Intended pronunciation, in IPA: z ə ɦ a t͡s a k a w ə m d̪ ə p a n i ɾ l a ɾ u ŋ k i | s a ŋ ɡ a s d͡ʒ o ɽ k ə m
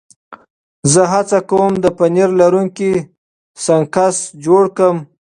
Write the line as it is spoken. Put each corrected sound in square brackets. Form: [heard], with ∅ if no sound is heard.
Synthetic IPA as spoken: z ə ɦ a t͡s a k a w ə m d̪ ə p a n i ɾ l a ɾ u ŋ k i | s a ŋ [k] a s d͡ʒ o ɽ k ə m